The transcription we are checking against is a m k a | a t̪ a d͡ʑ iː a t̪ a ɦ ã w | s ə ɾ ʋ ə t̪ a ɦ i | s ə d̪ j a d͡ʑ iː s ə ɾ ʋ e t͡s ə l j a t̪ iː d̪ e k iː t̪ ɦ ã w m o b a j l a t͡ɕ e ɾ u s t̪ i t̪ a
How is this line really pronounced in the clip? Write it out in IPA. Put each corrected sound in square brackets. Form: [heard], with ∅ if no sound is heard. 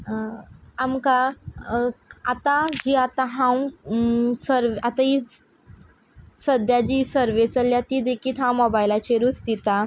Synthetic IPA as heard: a m k a | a t̪ a d͡ʑ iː a t̪ a ɦ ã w | s ə ɾ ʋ [a] t̪ a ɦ i | s ə d̪ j a d͡ʑ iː s ə ɾ ʋ e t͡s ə l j a t̪ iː d̪ e k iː t̪ ɦ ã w m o b a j l a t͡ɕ e ɾ u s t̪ i t̪ a

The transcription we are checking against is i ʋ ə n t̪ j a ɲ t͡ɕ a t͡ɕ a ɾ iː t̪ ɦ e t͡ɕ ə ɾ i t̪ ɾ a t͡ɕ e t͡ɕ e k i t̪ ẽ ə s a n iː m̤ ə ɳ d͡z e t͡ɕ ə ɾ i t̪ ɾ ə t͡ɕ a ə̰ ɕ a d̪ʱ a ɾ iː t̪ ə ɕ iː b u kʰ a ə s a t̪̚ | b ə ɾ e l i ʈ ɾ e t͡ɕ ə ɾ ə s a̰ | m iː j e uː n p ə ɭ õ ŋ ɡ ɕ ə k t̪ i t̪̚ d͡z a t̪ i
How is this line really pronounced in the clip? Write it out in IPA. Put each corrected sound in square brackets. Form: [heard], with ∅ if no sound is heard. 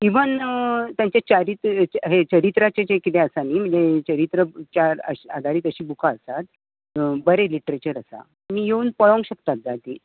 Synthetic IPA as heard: i ʋ ə n t̪ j a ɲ t͡ɕ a t͡ɕ a ɾ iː t̪ ɦ e t͡ɕ ə ɾ i t̪ ɾ a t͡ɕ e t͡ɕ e k i t̪ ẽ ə s a n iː m̤ ə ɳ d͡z e t͡ɕ ə ɾ i t̪ ɾ ə t͡ɕ a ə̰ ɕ a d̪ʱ a ɾ iː t̪ ə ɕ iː b u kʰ a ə s a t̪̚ | b ə ɾ e l i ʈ ɾ e t͡ɕ ə ɾ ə s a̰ | m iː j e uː n p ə ɭ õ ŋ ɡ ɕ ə k t̪ [a] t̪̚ d͡z a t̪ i

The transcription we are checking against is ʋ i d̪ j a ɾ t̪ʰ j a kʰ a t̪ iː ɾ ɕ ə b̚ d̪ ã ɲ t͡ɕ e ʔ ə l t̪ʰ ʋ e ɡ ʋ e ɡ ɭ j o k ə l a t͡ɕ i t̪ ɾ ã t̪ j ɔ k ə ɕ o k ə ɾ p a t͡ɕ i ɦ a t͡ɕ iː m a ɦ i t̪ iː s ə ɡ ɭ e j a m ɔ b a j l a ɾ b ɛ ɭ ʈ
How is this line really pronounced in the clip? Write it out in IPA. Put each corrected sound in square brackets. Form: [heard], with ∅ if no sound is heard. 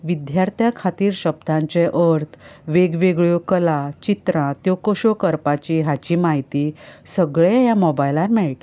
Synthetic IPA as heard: ʋ i d̪ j a ɾ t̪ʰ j a kʰ a t̪ iː ɾ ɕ ə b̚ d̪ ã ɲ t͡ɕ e ʔ ə [ɾ] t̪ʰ ʋ e ɡ ʋ e ɡ ɭ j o k ə l a t͡ɕ i t̪ ɾ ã t̪ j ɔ k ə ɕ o k ə ɾ p a t͡ɕ i ɦ a t͡ɕ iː m a ɦ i t̪ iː s ə ɡ ɭ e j a m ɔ b a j l a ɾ [m] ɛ ɭ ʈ

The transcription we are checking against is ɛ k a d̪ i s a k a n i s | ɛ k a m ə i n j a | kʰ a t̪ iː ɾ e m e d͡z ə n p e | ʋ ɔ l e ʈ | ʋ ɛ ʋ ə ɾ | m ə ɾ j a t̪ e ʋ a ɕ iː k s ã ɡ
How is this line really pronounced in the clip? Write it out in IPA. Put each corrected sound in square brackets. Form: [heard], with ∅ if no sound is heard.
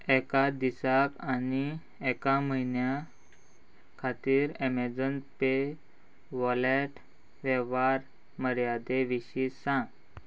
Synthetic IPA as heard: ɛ k a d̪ i s a k a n i [∅] | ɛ k a m ə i n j a | kʰ a t̪ iː ɾ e m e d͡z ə n p e | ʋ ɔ l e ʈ | ʋ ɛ ʋ [a] ɾ | m ə ɾ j a [d̪] e ʋ [i] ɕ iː [∅] s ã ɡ

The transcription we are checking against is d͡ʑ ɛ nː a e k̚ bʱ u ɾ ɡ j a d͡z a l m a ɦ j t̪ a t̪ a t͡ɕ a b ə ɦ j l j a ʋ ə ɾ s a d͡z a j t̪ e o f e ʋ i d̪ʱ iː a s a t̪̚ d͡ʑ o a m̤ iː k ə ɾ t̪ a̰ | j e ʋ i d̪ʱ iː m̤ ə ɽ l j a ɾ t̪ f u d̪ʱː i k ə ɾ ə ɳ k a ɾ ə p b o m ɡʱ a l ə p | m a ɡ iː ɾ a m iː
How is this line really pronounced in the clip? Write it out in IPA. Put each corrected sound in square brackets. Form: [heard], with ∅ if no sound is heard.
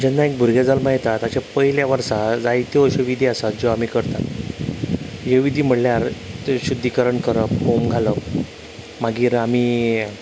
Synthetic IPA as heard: d͡ʑ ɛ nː a e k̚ bʱ u ɾ ɡ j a d͡z a l m a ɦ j t̪ a t̪ a t͡ɕ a [p] ə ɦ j l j a ʋ ə ɾ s a d͡z a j t̪ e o [ɕ] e ʋ i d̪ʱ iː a s a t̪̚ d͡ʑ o a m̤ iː k ə ɾ t̪ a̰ | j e ʋ i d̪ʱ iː m̤ ə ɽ l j a ɾ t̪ [ɕ] u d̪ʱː i k ə ɾ ə ɳ k [ə] ɾ ə p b o m ɡʱ a l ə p | m a ɡ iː ɾ a m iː

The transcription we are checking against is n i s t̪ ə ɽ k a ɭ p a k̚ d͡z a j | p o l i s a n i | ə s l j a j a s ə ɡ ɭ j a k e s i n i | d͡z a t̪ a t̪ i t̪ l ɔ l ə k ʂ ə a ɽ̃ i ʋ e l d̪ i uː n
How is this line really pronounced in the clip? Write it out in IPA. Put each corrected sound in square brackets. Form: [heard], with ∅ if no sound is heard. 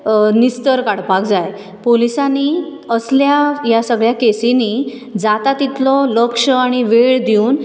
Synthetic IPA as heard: n i s t̪ ə [ɾ] k a [ɽ] p a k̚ d͡z a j | p o l i s a n i | ə s l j a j a s ə ɡ ɭ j a k e s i n i | d͡z a t̪ a t̪ i t̪ l ɔ l ə k ʂ ə a ɽ̃ i ʋ e [ɭ] d̪ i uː n

